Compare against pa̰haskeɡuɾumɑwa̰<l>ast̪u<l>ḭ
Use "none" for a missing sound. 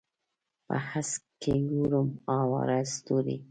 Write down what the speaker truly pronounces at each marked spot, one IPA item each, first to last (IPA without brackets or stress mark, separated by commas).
ɾ, ɾ